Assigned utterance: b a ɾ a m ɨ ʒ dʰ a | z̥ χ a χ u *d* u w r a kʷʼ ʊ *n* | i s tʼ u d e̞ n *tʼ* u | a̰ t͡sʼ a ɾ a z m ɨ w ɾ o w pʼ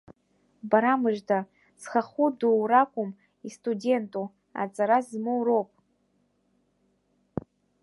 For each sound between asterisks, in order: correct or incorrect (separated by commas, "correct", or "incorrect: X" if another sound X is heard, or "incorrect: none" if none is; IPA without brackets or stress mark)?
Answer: correct, incorrect: m, correct